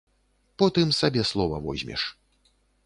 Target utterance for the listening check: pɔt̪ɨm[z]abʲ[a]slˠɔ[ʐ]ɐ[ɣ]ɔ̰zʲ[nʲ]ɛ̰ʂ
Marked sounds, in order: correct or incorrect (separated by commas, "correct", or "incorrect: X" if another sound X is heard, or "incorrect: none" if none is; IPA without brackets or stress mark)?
incorrect: s, incorrect: ɛ, incorrect: v, incorrect: v, incorrect: mʲ